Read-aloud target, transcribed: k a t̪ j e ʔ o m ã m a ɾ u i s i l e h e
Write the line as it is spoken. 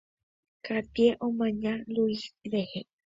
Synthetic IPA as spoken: k a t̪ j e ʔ o m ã ɲ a l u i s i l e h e